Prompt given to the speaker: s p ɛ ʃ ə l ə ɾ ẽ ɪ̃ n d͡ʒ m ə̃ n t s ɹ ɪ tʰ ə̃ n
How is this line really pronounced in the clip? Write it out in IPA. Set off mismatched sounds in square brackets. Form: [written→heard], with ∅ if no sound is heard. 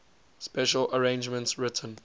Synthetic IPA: s p ɛ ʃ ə l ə [ɾ→ɹ] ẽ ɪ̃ n d͡ʒ m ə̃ n t s ɹ ɪ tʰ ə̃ n

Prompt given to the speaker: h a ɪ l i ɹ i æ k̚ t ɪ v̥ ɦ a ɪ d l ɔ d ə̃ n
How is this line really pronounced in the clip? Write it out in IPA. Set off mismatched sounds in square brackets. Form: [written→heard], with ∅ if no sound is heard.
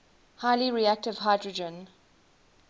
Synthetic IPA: h a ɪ l i ɹ i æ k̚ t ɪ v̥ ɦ a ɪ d [l→ɹ] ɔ [d→d͡ʒ] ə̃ n

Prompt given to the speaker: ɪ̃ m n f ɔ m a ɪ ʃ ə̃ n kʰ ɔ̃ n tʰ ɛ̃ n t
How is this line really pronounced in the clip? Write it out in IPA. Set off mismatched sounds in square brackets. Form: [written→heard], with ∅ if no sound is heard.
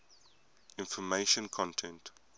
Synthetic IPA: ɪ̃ [m→∅] n f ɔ m [a→e] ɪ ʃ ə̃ n kʰ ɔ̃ n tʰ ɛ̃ n t

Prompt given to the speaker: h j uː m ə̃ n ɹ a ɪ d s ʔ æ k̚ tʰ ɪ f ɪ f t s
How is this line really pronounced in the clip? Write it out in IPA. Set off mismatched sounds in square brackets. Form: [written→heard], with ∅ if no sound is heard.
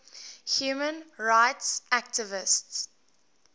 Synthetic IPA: h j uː m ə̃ n ɹ a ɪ [d→t] s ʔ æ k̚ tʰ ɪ [f→v] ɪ [f→s] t s

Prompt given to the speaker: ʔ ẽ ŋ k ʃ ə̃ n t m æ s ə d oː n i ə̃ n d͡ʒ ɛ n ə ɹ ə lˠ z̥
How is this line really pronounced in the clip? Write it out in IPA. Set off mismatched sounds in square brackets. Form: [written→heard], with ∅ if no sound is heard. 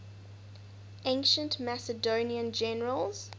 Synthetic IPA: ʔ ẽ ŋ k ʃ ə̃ n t m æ s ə d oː n i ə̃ n d͡ʒ ɛ n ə ɹ ə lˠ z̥

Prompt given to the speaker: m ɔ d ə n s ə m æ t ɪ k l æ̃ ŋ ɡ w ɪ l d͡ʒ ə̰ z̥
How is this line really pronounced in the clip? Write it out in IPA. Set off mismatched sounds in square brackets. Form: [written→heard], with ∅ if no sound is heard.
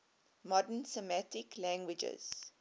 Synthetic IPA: m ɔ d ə n s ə m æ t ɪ k l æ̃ ŋ ɡ w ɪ [l→∅] d͡ʒ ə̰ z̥

